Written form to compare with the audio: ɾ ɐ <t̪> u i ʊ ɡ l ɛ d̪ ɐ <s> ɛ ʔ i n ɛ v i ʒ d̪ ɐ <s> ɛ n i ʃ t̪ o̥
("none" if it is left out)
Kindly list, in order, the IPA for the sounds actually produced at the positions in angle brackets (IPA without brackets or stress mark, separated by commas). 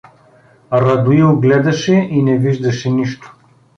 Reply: d̪, ʃ, ʃ